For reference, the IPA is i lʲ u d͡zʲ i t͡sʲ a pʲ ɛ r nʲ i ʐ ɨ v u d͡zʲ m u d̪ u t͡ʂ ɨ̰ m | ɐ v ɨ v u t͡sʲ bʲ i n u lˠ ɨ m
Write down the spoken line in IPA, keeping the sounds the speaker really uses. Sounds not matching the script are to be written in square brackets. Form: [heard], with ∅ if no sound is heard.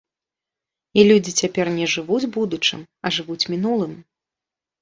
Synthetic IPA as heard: i lʲ u d͡zʲ i t͡sʲ a pʲ ɛ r nʲ [ɛ] ʐ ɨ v u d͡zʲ [b] u d̪ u t͡ʂ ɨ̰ m | ɐ [ʐ] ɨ v u t͡sʲ [mʲ] i n u lˠ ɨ m